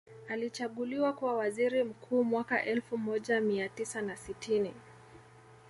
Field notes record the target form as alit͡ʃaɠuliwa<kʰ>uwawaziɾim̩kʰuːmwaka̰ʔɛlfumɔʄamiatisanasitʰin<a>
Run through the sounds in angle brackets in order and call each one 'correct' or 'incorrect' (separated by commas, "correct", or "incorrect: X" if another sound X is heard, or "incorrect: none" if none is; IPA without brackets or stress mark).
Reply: incorrect: k, incorrect: i